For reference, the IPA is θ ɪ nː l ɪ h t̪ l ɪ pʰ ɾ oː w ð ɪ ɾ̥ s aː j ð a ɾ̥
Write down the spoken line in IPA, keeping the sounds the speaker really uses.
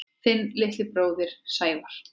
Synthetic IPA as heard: θ ɪ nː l ɪ h t̪ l ɪ p ɾ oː w ð ɪ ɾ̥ s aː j v a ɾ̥